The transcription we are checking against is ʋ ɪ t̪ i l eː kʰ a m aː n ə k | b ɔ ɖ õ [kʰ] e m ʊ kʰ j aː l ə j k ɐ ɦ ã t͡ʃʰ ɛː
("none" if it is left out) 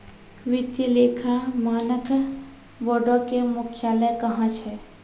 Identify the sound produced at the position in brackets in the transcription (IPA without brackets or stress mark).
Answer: k